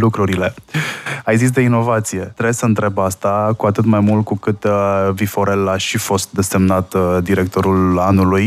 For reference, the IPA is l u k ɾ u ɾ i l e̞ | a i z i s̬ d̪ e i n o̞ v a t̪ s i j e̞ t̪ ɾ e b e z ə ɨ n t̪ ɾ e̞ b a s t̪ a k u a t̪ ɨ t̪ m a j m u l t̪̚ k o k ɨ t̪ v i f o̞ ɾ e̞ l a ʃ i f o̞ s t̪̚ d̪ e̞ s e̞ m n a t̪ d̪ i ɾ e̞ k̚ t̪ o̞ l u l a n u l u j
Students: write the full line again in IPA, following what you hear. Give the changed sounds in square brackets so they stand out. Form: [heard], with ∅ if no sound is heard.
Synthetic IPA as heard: l u k ɾ u ɾ i l e̞ | a [j] z i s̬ d̪ e i n o̞ v a t̪ s i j e̞ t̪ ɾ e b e [s] ə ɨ n t̪ ɾ e̞ b a s t̪ a k u a t̪ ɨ t̪ m a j m u l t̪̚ k [u] k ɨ t̪ v i f o̞ ɾ e̞ l a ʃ i f o̞ s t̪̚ d̪ e̞ s e̞ m n a t̪ d̪ i ɾ e̞ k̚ t̪ o̞ [ɾ] u l a n u l u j